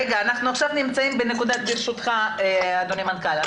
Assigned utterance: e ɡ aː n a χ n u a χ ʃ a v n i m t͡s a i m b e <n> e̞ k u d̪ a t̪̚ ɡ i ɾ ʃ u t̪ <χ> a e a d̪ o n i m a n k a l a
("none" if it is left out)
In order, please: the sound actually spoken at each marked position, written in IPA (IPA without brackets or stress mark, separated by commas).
n, χ